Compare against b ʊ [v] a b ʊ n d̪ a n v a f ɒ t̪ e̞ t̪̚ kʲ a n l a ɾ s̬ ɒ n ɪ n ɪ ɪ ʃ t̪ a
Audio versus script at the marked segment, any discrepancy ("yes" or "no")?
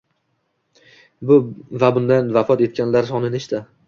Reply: no